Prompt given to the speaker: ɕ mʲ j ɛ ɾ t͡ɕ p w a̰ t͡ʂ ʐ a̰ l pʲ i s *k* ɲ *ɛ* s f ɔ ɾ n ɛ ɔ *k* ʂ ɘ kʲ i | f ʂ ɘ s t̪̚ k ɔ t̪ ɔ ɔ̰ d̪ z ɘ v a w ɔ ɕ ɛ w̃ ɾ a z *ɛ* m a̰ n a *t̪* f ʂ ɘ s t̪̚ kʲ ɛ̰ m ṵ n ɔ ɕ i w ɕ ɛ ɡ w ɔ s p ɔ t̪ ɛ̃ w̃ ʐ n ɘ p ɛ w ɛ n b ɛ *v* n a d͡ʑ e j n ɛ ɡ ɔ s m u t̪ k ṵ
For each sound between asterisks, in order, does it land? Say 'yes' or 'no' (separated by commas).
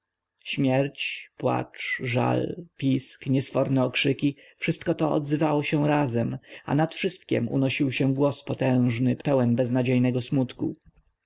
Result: yes, yes, yes, yes, yes, no